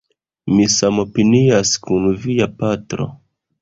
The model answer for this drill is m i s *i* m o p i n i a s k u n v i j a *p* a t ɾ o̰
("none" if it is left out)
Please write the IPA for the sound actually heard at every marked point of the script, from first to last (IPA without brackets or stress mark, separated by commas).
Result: a, p